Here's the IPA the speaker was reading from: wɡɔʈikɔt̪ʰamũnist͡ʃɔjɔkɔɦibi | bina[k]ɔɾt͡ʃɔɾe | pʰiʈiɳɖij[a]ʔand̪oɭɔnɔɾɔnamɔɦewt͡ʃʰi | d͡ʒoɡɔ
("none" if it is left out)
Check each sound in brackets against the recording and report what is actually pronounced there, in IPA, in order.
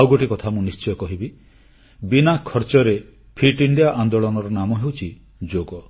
kʰ, a

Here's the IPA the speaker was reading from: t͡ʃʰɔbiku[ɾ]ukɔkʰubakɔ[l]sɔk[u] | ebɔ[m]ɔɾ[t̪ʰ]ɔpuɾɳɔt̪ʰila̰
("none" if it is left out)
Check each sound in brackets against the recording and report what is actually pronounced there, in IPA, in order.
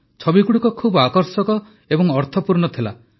ɽ, ɾ, ɔ, ŋ, t̪ʰ

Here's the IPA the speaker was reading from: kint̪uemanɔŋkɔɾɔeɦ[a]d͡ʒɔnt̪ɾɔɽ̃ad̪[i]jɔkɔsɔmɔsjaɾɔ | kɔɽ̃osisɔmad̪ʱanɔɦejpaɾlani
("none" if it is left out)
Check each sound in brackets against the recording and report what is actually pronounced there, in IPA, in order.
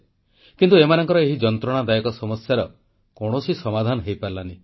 i, a

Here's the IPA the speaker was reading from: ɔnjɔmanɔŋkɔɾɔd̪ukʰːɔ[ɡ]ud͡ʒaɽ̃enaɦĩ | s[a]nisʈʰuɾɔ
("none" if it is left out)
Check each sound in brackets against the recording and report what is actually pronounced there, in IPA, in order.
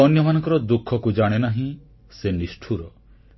k, e

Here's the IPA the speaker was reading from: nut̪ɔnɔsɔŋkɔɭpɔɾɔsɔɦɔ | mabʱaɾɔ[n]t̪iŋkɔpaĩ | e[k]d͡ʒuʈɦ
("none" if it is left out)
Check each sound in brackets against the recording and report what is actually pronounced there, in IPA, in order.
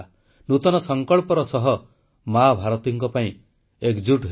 none, k

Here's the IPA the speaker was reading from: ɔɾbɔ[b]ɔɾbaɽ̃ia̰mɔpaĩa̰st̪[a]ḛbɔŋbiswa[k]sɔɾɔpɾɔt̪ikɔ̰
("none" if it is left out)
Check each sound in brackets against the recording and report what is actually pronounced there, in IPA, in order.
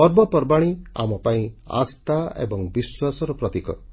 p, a, none

